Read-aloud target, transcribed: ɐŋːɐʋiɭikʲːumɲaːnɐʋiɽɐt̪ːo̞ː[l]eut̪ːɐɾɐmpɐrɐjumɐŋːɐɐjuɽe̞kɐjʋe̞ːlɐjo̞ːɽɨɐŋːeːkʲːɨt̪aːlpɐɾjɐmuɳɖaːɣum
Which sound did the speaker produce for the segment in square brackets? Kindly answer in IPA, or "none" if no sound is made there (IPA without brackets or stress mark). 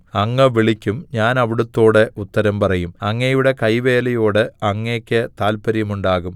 ɽ